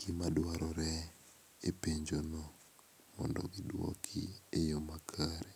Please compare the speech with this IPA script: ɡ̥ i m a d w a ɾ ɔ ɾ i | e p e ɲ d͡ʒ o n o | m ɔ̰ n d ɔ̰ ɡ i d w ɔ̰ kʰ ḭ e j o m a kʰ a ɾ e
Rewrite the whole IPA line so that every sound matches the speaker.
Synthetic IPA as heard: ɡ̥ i m a d w a ɾ ɔ ɾ ɛ | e p e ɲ d͡ʒ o n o | m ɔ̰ n d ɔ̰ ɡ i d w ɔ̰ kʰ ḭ e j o m a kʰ a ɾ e